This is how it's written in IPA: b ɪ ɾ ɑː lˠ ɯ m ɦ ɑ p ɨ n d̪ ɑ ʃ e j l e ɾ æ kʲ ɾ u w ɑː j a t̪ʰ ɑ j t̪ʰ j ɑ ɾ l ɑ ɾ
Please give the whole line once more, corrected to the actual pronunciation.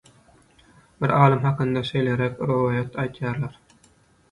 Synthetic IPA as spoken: b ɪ ɾ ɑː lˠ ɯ m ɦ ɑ q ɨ n d̪ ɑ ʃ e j l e ɾ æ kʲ ɾ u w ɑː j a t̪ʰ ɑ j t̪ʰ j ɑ ɾ l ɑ ɾ